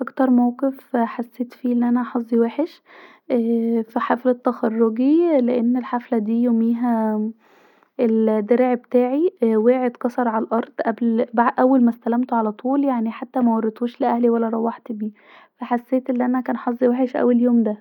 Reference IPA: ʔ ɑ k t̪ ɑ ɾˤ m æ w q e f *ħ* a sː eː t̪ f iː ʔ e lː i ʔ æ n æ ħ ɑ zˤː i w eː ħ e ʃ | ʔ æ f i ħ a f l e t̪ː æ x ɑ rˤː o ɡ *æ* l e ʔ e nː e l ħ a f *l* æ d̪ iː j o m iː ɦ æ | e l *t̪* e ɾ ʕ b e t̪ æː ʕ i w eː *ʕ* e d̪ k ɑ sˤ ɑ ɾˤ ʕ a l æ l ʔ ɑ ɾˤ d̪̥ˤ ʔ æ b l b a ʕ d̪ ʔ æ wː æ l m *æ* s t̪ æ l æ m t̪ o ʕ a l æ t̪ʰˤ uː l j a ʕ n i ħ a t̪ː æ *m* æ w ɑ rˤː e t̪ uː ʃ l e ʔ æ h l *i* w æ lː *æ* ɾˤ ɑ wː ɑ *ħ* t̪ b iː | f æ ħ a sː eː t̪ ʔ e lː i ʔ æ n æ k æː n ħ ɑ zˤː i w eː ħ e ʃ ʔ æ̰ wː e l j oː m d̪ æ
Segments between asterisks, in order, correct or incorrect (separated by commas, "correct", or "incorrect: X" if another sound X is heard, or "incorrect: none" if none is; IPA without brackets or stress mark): correct, incorrect: i, correct, incorrect: d̪, correct, correct, correct, correct, correct, correct